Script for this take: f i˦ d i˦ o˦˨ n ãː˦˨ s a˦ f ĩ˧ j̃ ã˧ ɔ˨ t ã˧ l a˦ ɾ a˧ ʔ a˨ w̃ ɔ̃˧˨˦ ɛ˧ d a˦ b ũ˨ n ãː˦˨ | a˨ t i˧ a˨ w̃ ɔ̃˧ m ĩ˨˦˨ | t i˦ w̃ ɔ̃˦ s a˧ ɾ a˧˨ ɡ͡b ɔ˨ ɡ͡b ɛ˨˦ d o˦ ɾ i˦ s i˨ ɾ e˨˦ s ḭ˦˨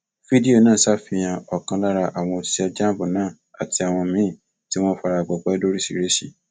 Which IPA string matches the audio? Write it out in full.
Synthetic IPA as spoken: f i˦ d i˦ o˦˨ n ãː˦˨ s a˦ f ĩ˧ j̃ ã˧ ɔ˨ k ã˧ l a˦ ɾ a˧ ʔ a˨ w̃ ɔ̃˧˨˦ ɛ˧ d͡ʒ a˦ b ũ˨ n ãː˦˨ | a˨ t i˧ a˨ w̃ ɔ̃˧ m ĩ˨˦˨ | t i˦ w̃ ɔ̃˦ f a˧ ɾ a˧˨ ɡ͡b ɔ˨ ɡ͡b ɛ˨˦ d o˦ ɾ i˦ s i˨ ɾ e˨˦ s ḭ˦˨

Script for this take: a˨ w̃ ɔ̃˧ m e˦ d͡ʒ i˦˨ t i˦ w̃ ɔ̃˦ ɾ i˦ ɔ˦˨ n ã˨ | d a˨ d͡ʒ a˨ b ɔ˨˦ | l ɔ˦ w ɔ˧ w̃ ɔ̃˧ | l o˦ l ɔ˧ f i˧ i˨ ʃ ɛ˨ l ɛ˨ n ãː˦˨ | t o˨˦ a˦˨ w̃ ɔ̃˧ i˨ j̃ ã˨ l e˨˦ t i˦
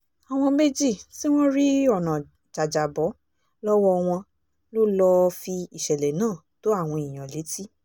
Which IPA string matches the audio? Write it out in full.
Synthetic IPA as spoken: a˨ w̃ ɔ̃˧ m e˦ d͡ʒ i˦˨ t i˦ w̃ ɔ̃˦ ɾ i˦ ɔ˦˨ n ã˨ | d͡ʒ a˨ d͡ʒ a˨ b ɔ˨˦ | l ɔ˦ w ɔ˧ w̃ ɔ̃˧ | l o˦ l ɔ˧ f i˧ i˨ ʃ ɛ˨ l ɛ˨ n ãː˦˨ | t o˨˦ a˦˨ w̃ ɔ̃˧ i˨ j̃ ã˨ l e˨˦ t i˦

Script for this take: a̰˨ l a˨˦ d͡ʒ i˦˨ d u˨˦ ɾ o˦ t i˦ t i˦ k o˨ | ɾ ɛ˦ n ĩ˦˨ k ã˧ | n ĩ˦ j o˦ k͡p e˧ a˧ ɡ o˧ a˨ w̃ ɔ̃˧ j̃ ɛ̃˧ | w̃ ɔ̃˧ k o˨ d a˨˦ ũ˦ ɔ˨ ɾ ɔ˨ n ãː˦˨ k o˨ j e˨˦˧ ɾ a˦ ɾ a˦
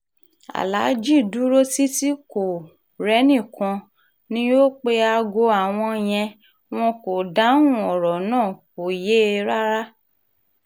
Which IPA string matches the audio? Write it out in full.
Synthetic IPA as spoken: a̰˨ l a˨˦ d͡ʒ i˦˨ d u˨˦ ɾ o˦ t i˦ t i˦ k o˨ | ɾ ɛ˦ n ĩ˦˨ k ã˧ | n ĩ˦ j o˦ k͡p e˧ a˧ ɡ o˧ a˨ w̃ ɔ̃˧ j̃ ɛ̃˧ | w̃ ɔ̃˧ k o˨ d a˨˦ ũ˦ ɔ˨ ɾ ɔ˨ n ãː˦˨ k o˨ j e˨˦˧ ɾ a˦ ɾ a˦

